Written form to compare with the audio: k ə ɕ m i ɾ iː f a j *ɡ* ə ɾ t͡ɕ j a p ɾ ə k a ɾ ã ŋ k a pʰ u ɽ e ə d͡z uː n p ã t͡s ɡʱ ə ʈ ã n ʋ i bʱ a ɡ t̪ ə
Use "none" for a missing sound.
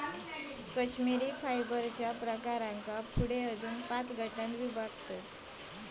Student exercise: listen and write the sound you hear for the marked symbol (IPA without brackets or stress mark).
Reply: b